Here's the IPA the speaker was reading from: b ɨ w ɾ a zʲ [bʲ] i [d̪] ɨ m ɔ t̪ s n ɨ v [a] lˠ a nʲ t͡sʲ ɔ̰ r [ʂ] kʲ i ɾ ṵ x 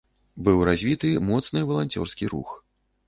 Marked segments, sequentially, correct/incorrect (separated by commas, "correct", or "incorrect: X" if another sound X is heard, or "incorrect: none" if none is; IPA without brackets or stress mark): incorrect: vʲ, incorrect: t̪, incorrect: ɐ, incorrect: s